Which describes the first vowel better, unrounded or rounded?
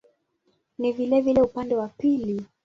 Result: unrounded